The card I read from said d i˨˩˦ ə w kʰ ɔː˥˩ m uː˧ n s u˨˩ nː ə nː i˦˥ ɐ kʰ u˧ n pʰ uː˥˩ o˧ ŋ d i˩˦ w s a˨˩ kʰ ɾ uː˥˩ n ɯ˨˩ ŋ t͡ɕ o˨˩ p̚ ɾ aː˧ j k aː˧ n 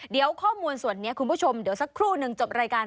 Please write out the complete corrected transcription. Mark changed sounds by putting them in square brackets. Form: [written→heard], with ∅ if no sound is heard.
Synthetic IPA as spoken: d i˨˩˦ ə w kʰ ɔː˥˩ m uː˧ n s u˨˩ [nː→∅] ə nː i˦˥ ɐ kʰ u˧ n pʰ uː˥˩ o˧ [ŋ→m] d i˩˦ w s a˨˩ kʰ ɾ uː˥˩ n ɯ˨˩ ŋ t͡ɕ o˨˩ p̚ ɾ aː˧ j k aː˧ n